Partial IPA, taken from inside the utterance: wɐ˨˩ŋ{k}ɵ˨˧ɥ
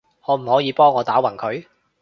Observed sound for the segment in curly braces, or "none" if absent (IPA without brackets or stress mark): kʰ